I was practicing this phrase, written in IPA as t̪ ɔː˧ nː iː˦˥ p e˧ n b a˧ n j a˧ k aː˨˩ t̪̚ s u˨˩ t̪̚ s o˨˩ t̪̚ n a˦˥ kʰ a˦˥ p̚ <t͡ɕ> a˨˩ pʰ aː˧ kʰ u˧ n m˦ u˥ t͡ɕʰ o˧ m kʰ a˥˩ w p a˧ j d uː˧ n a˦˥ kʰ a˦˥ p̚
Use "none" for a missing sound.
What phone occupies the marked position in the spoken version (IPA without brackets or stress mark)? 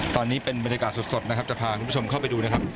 t͡ɕ